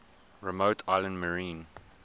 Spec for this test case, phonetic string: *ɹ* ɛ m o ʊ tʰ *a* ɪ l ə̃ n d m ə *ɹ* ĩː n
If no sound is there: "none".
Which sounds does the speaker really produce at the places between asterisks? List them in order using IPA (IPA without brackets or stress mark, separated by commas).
ɹ, a, ɹ